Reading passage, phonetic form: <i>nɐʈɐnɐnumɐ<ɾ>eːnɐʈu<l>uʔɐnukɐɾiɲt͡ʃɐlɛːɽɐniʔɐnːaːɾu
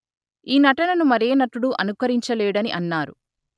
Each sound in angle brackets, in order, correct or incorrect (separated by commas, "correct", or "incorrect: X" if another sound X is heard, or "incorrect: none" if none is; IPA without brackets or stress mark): incorrect: iː, correct, incorrect: ɽ